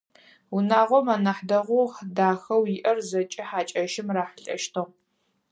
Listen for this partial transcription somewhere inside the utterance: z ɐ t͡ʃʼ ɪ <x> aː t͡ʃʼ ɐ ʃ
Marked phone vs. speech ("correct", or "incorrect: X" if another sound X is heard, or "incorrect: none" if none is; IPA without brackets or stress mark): incorrect: ħ